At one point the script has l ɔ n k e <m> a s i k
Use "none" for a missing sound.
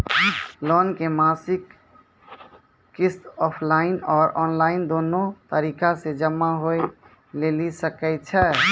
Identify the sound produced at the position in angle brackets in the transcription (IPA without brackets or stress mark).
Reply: m